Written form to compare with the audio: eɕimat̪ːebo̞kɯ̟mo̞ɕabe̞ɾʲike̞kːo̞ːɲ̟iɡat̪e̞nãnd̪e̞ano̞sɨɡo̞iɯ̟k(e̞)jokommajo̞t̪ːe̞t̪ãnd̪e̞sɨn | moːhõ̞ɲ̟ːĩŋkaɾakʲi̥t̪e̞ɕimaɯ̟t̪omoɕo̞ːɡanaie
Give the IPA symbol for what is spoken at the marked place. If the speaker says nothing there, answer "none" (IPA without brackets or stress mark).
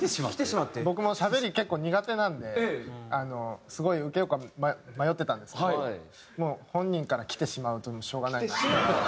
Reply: e̞